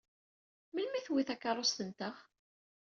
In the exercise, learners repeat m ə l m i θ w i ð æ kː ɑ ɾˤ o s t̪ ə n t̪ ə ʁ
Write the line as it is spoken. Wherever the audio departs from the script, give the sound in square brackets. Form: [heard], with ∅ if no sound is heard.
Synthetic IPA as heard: m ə l m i θ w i [θ] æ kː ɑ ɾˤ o s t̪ ə n t̪ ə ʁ